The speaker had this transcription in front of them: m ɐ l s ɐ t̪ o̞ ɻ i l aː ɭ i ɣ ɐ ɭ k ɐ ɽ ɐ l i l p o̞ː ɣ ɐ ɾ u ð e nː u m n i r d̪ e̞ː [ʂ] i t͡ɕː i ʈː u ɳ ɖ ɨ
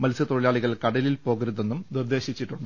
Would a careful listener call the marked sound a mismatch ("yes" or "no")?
yes